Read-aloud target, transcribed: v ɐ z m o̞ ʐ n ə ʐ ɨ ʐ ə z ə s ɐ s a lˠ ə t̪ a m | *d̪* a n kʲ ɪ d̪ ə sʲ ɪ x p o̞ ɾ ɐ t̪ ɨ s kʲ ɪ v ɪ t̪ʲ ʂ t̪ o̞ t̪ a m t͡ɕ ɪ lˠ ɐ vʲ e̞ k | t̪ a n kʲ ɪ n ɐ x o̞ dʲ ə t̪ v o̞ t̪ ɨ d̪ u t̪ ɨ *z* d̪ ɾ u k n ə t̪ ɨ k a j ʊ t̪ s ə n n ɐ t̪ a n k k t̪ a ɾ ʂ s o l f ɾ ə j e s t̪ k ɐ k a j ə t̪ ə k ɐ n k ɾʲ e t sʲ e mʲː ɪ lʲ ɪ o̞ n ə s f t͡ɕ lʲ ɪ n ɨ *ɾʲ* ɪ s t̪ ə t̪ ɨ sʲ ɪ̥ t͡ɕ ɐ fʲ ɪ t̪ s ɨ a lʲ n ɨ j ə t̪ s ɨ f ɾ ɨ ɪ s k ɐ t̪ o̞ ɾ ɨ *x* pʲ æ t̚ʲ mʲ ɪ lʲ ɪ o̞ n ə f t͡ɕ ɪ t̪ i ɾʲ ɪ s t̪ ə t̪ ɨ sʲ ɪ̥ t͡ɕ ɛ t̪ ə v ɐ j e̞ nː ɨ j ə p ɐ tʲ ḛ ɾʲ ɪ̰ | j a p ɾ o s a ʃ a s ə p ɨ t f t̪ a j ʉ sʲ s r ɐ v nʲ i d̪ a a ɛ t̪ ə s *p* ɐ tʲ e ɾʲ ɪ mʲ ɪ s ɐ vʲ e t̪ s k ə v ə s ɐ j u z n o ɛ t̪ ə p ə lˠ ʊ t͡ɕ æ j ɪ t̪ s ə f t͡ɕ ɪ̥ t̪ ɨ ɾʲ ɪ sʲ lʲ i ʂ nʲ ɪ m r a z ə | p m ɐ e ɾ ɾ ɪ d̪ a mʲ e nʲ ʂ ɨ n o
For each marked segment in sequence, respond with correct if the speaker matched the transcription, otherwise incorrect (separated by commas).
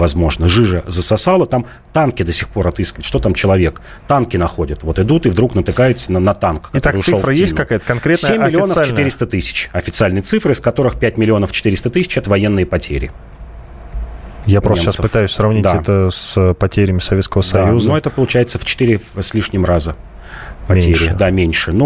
incorrect, incorrect, correct, correct, correct